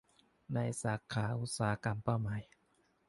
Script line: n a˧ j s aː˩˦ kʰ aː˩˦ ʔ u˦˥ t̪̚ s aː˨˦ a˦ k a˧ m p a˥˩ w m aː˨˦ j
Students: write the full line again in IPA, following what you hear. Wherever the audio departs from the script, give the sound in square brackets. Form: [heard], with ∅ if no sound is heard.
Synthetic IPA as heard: n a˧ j s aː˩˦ kʰ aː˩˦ ʔ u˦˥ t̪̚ s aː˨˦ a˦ k a˧ m p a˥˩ w m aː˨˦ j